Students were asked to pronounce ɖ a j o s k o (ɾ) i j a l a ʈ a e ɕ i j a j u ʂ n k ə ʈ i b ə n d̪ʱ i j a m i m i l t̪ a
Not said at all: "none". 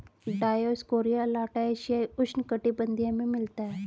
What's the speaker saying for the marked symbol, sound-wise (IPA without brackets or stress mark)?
ɾ